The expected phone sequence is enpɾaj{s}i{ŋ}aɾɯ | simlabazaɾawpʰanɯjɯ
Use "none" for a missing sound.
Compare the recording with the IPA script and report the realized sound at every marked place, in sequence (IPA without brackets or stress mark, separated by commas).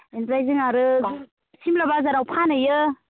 z, ŋ